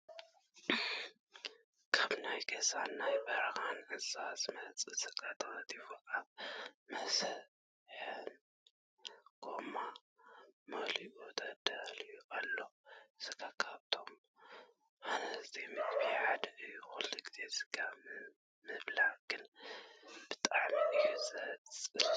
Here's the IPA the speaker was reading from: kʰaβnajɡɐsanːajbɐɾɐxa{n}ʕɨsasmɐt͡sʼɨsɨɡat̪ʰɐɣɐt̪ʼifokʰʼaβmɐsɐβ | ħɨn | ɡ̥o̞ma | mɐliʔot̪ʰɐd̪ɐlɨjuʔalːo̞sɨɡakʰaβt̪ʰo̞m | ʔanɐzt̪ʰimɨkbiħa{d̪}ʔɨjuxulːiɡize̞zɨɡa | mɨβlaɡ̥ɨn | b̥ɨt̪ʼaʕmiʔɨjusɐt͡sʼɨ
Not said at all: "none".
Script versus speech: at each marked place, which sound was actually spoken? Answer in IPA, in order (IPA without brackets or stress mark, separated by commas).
n, d̪